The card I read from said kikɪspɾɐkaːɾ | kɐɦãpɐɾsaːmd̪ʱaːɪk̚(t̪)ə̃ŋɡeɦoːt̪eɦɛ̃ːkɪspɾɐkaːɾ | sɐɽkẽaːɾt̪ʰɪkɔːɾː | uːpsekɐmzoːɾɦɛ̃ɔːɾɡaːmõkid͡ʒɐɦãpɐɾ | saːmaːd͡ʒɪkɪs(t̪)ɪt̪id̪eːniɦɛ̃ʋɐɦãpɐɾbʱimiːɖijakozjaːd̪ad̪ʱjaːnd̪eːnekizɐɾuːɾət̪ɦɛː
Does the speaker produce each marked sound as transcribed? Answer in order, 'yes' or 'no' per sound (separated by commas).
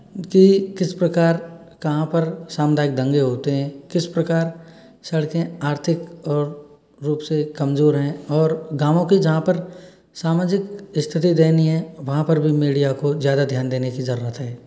no, no